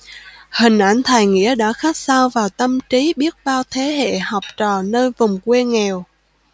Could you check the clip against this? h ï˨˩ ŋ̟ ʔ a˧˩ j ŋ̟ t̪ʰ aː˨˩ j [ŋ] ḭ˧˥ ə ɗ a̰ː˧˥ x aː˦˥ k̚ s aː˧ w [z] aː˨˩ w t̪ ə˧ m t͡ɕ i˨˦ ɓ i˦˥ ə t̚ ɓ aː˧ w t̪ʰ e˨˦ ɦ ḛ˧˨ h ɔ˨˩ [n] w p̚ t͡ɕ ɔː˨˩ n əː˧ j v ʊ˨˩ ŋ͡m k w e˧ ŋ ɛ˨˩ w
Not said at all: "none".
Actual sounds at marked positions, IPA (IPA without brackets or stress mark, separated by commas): ŋ, v, none